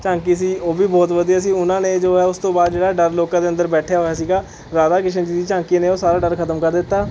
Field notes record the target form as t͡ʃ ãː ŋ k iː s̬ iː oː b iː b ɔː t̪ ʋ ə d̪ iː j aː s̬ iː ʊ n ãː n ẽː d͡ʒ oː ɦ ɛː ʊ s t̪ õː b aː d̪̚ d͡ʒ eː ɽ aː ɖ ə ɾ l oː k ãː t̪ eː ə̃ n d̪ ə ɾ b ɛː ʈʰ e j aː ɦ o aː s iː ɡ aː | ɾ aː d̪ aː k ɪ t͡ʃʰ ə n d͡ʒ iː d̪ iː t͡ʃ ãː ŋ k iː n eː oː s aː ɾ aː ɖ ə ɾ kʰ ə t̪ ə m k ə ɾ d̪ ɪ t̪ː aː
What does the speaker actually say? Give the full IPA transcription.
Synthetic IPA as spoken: t͡ʃ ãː ŋ k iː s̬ iː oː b iː b ɔː t̪ ʋ ə d̪ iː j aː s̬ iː ʊ n ãː n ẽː d͡ʒ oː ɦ ɛː ʊ s t̪ õː b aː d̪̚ d͡ʒ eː ɽ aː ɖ ə ɾ l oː k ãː d̪ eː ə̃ n d̪ ə ɾ b ɛː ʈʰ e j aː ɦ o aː s iː ɡ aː | ɾ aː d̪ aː k ɪ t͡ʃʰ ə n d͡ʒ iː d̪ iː t͡ʃ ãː ŋ k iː n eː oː s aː ɾ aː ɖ ə ɾ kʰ ə t̪ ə m k ə ɾ d̪ ɪ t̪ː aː